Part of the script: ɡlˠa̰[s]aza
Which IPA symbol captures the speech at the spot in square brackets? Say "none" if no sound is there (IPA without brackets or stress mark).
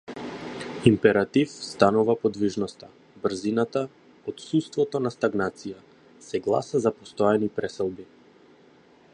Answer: s